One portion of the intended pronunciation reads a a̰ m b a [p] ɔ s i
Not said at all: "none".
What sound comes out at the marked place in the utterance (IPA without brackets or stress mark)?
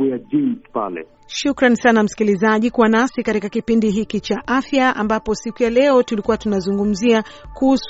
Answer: p